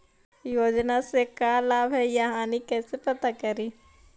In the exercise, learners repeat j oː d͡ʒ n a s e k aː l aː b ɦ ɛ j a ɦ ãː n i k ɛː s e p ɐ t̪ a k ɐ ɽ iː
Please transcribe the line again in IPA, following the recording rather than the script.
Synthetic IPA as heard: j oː d͡ʒ n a s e k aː l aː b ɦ ɛ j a ɦ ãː n i k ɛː s e p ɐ t̪ a k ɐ ɾ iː